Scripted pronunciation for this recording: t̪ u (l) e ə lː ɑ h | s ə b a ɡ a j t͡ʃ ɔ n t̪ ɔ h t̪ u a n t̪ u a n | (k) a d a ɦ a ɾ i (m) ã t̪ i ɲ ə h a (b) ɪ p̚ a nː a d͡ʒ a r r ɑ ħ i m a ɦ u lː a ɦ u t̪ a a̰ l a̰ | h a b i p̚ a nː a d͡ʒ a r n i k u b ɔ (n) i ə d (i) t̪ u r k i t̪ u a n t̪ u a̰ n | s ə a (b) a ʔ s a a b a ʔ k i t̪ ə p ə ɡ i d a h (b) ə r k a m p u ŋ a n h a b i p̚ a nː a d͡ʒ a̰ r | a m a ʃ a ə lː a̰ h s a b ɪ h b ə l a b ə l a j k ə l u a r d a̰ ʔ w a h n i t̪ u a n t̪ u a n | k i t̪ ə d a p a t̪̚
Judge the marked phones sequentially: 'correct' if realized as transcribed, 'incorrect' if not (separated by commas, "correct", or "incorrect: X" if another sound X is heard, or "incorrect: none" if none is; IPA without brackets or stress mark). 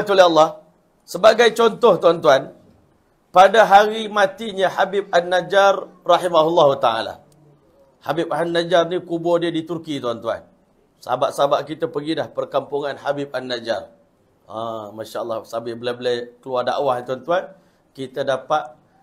correct, incorrect: p, correct, correct, incorrect: d, correct, correct, incorrect: p